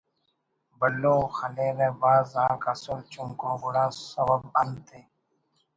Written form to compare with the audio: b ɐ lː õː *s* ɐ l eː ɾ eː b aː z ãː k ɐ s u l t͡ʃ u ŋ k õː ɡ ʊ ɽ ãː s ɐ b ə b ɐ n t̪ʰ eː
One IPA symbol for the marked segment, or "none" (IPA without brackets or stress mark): x